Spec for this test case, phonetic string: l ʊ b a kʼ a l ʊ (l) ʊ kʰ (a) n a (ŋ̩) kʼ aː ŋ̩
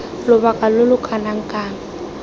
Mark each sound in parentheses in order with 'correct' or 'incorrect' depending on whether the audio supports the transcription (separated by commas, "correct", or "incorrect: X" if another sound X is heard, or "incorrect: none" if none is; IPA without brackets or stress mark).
correct, correct, correct